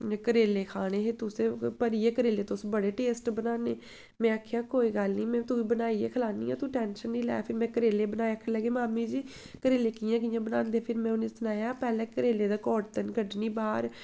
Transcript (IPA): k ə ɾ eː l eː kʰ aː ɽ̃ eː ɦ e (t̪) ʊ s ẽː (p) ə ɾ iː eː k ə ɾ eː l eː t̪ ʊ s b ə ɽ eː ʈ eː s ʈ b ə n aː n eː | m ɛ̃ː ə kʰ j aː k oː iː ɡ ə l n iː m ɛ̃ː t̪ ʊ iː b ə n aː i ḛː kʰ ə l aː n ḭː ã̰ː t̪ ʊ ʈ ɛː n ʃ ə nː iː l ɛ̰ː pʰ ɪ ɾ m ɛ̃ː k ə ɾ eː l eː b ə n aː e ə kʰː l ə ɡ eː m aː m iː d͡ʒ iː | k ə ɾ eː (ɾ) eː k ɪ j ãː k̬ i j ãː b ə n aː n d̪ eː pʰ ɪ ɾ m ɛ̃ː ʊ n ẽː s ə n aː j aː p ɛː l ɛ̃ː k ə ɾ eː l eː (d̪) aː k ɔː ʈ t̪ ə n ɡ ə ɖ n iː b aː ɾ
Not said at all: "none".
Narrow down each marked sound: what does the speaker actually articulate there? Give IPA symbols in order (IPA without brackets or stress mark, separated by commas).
t̪, p, l, d̪